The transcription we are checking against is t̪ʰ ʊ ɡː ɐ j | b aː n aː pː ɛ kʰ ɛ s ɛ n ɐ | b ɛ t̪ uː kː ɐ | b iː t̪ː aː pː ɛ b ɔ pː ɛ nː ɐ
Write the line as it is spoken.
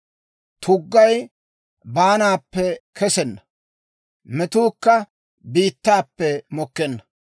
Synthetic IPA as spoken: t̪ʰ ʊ ɡː ɐ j | b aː n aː pː ɛ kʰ ɛ s ɛ nː ɐ | m ɛ t̪ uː kː ɐ | b iː t̪ː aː pː ɛ m ɔ kː ɛ nː ɐ